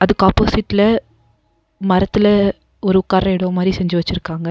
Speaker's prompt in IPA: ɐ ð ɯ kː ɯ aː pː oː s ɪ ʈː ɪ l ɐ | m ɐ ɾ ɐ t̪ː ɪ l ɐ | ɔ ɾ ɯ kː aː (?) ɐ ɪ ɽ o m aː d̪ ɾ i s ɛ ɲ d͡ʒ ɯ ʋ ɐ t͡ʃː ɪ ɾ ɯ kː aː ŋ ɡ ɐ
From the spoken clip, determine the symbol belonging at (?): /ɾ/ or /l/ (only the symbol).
ɾ